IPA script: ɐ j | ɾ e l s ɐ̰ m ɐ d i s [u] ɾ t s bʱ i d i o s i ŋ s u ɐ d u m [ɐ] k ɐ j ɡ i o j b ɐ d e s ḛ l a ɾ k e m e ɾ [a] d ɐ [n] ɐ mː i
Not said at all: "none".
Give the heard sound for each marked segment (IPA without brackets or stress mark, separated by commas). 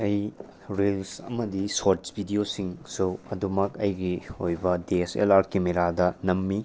o, ɐ, a, n